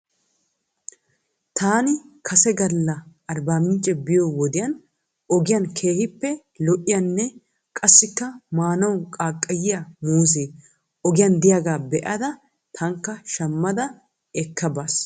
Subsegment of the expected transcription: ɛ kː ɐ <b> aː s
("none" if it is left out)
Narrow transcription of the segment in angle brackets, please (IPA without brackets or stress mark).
b